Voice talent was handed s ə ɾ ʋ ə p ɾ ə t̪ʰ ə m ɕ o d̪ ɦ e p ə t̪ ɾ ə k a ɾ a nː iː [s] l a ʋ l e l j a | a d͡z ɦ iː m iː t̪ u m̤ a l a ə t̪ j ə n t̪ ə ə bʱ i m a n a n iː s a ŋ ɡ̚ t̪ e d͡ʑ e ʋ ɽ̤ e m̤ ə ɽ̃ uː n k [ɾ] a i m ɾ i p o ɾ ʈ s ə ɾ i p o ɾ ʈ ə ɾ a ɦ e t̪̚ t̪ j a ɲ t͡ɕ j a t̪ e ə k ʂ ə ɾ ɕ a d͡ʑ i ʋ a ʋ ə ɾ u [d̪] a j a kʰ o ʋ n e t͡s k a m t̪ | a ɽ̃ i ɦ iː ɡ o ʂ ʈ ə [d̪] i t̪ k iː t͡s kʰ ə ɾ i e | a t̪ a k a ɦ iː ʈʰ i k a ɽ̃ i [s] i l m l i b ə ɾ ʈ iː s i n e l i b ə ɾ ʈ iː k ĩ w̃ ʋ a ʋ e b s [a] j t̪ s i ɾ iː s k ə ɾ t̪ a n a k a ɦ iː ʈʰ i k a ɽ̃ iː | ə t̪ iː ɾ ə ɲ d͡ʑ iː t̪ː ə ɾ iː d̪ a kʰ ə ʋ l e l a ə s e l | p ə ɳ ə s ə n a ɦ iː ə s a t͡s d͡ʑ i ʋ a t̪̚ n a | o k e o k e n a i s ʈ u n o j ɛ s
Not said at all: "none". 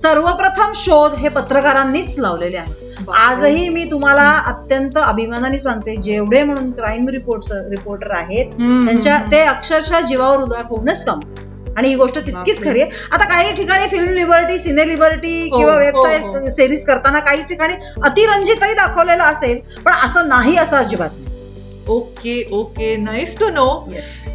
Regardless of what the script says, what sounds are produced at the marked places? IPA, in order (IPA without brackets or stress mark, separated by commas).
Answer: t͡s, ɾ, d̪, t̪, f, a